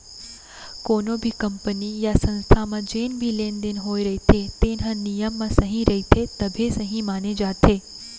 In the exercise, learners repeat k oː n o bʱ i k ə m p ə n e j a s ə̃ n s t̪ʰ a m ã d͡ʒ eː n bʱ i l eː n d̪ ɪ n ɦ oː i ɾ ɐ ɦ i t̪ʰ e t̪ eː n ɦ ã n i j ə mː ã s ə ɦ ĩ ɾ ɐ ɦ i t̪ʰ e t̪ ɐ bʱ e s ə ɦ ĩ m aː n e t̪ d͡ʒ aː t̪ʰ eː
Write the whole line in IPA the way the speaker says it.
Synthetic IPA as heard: k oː n o bʱ i k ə m p ə n i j a s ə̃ n s t̪ʰ a m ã d͡ʒ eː n bʱ i l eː n d̪ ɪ n ɦ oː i ɾ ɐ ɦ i t̪ʰ e t̪ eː n ɦ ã n i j ə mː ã s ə ɦ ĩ ɾ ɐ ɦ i t̪ʰ e t̪ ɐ bʱ e s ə ɦ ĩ m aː n e d͡ʒ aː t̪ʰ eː